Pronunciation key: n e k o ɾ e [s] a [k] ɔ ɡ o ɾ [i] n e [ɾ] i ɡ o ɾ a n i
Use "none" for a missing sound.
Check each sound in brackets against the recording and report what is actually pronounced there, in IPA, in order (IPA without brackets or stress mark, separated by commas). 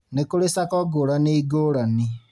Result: s, k, a, none